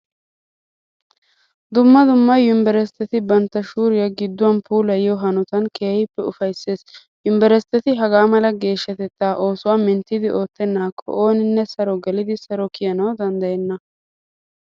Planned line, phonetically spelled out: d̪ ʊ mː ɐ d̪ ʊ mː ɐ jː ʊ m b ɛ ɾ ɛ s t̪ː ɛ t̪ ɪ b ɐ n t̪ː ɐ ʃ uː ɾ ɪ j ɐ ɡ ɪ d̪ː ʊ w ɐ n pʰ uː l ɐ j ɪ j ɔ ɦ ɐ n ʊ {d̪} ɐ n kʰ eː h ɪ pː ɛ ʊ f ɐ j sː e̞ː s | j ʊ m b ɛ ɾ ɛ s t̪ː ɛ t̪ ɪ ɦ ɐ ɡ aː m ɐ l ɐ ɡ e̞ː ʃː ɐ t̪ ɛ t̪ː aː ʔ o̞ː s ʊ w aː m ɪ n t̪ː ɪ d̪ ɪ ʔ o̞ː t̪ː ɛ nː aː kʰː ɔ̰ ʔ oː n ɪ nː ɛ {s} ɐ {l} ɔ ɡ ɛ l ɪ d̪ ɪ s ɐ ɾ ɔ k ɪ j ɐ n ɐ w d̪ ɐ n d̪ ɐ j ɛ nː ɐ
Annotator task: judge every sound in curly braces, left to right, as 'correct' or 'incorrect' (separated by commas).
incorrect, correct, incorrect